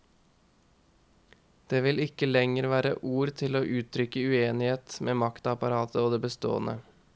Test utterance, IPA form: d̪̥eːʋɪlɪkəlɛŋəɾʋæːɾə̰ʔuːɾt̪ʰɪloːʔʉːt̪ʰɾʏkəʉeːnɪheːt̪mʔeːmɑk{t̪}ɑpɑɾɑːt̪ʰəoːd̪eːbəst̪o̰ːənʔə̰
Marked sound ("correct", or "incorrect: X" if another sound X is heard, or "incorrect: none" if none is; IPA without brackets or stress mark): correct